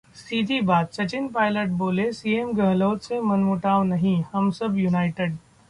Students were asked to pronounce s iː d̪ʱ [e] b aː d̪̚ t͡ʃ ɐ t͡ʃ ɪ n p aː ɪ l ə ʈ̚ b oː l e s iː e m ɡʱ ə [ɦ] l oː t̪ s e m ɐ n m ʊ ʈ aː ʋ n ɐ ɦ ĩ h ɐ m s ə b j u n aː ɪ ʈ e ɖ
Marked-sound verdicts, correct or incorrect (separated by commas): incorrect, correct